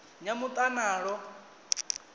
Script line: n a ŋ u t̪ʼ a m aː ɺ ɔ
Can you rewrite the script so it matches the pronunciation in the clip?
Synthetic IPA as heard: ɲ a m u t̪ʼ a n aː ɺ ɔ